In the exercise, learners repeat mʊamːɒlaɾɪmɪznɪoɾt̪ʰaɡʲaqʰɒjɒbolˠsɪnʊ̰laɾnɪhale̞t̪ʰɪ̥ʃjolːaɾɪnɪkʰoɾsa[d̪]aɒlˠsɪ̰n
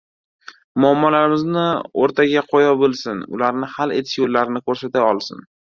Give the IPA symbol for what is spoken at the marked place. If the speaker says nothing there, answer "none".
t̪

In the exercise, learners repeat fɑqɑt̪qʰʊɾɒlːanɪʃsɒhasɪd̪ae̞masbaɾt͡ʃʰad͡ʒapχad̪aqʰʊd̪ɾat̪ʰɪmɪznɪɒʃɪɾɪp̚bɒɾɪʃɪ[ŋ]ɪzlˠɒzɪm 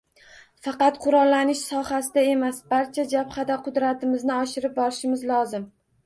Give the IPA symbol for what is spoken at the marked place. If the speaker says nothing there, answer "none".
m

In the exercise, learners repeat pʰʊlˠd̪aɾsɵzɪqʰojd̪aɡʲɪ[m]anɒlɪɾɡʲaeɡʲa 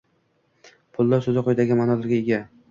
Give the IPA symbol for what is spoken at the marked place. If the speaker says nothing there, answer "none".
m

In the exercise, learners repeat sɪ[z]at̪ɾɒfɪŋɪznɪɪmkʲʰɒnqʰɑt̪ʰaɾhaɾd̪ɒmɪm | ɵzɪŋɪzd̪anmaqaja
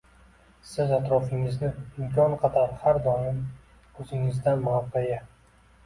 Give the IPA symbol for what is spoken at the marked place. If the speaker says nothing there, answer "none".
z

